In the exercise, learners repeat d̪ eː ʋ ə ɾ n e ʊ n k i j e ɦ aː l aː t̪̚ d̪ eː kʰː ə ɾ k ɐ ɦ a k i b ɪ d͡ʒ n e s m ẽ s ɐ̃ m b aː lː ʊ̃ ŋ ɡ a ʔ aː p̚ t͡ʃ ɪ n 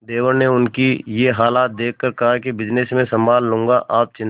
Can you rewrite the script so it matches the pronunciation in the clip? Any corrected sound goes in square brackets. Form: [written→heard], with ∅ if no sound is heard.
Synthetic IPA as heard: d̪ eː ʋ ə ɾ n e ʊ n k i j e ɦ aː l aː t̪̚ d̪ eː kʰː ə ɾ k ɐ ɦ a k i b ɪ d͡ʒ n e s m ẽ s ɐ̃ m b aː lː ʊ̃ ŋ ɡ a ʔ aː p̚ t͡ʃ ɪ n

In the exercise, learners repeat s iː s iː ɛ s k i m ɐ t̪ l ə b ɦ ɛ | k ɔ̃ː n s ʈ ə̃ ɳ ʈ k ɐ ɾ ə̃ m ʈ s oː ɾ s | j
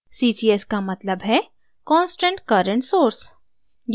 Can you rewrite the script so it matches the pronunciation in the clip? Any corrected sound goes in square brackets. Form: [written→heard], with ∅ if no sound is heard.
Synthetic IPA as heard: s iː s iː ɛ s k [i→a] m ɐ t̪ l ə b ɦ ɛ | k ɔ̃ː n s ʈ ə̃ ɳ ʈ k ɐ ɾ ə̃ [m→ɳ] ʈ s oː ɾ s | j

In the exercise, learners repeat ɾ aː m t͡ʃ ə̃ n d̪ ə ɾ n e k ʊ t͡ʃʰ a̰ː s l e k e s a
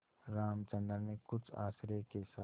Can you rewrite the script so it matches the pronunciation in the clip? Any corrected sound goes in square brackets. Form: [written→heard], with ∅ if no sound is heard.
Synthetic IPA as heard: ɾ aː m t͡ʃ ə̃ n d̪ ə ɾ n e k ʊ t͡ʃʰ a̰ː s [l→ɾ] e k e s a

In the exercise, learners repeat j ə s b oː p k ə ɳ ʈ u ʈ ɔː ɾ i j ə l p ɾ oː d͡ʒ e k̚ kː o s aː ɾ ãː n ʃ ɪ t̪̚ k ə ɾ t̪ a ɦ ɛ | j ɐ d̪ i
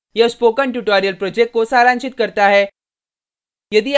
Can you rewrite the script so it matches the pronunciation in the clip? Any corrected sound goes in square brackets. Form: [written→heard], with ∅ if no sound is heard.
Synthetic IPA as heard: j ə s [b→p] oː [p→∅] k ə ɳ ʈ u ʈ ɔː ɾ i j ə l p ɾ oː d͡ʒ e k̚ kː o s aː ɾ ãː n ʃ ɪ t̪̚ k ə ɾ t̪ a ɦ ɛ | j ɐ d̪ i

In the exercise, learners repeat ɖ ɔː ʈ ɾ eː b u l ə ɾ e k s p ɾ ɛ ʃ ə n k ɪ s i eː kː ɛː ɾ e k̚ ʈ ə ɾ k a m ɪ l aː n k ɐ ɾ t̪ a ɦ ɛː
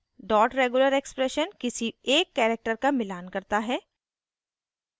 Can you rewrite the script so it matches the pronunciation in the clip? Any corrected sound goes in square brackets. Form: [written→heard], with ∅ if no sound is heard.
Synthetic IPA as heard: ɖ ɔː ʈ ɾ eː [b→ɡ] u l ə ɾ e k s p ɾ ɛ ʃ ə n k ɪ s i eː kː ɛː ɾ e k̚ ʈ ə ɾ k a m ɪ l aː n k ɐ ɾ t̪ a ɦ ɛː

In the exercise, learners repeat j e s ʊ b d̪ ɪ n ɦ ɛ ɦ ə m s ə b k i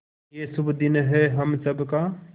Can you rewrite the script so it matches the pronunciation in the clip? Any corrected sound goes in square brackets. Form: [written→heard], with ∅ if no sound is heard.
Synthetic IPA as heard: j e s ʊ b d̪ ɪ n ɦ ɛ ɦ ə m s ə b k [i→a]

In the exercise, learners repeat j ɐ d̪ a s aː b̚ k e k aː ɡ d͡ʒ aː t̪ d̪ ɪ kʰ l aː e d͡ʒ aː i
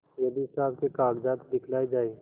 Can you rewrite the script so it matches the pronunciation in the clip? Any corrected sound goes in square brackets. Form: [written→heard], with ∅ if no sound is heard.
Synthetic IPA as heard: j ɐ d̪ [a→i] s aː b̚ k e k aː ɡ d͡ʒ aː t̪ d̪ ɪ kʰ l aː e d͡ʒ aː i

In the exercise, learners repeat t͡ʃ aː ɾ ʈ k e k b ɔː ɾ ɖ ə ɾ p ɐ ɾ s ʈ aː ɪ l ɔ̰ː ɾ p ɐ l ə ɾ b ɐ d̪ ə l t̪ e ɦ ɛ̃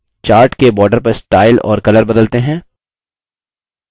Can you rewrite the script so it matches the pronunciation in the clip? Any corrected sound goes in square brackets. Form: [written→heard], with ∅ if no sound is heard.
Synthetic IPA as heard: t͡ʃ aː ɾ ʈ k e [k→∅] b ɔː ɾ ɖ ə ɾ p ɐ ɾ s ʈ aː ɪ l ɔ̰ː ɾ [p→k] ɐ l ə ɾ b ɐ d̪ ə l t̪ e ɦ [ɛ̃→ɛ̃ː]

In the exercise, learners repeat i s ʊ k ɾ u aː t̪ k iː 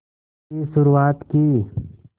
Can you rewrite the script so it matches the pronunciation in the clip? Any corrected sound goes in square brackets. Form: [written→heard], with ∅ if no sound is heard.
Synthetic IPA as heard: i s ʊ [k→∅] ɾ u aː t̪ k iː

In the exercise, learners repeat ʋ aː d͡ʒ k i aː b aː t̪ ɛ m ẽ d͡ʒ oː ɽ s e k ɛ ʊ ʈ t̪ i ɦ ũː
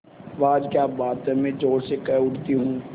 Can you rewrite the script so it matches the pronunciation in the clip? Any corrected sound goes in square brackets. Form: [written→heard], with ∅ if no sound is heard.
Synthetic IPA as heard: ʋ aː d͡ʒ k [i→j] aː b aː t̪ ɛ m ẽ d͡ʒ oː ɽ s e k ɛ ʊ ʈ t̪ i ɦ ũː

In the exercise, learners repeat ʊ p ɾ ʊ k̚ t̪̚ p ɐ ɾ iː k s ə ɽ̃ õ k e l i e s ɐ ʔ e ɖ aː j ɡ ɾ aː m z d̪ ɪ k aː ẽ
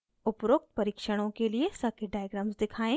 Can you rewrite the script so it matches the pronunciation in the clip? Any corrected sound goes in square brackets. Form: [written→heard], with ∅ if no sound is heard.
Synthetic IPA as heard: ʊ p ɾ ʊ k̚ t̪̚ p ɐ ɾ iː k [s→ʃ] ə ɽ̃ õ k e l i e s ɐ [ʔ→k] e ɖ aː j ɡ ɾ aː m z d̪ ɪ [k→kʰ] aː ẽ

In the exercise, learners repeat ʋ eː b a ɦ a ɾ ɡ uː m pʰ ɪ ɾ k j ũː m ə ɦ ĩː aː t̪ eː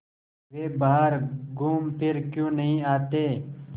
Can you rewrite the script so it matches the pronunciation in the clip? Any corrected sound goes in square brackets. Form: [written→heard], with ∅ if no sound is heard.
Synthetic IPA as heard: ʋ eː b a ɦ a ɾ ɡ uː m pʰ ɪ ɾ k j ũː [m→n] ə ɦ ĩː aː t̪ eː

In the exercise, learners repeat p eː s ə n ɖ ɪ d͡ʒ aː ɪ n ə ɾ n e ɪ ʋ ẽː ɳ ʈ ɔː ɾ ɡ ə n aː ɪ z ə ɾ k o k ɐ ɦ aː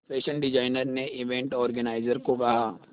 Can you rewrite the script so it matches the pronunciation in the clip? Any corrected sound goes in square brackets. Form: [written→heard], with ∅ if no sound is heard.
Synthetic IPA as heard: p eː [s→ʃ] ə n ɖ ɪ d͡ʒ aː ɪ n ə ɾ n e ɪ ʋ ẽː ɳ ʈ ɔː ɾ ɡ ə n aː ɪ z ə ɾ k o k ɐ ɦ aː

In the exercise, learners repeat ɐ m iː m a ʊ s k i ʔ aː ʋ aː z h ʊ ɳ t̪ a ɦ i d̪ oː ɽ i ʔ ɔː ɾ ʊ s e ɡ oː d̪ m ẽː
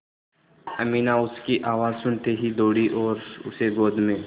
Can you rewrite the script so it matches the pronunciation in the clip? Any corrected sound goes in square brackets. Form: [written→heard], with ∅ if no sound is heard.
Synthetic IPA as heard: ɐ m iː [m→n] a ʊ s k i ʔ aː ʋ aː z [h→s] ʊ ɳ t̪ [a→e] ɦ i d̪ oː ɽ i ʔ ɔː ɾ ʊ s e ɡ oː d̪ m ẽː

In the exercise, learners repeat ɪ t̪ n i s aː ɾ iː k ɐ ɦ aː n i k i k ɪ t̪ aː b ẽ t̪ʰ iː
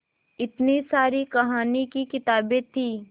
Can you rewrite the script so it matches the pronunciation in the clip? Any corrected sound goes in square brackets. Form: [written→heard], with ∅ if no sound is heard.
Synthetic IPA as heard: ɪ t̪ n i s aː ɾ [iː→i] k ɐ ɦ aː n i k i k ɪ t̪ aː b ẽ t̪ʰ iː

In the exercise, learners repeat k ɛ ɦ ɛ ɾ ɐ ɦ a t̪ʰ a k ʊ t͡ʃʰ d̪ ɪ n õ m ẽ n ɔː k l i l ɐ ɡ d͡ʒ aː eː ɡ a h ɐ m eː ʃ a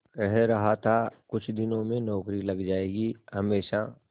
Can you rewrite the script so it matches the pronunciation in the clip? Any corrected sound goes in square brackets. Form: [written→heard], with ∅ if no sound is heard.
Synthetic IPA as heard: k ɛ ɦ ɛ ɾ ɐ ɦ a t̪ʰ a k ʊ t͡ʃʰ d̪ ɪ n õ m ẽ n ɔː k [l→ɾ] i l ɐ ɡ d͡ʒ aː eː ɡ [a→i] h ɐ m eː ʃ a

